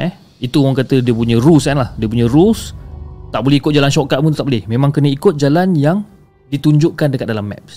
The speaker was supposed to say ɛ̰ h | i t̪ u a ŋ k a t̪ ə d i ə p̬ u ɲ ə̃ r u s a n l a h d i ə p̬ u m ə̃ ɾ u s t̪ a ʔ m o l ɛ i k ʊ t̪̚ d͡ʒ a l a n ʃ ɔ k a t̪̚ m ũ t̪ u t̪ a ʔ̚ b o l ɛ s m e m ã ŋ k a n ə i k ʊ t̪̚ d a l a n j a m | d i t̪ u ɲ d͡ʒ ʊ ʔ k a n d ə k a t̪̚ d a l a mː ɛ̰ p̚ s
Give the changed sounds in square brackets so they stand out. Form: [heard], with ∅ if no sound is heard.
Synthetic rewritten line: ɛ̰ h | i t̪ u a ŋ k a t̪ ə d i ə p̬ u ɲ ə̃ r u s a n l a h d i ə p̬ u [ɲ] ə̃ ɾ u s t̪ a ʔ [b] o l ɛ i k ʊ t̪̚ d͡ʒ a l a n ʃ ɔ k a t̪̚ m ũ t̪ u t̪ a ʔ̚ b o l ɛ [h] m e m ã ŋ k [ə] n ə i k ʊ t̪̚ [d͡ʒ] a l a n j a [ŋ] | d i t̪ u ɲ d͡ʒ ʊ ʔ k a n d ə k a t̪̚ d a l a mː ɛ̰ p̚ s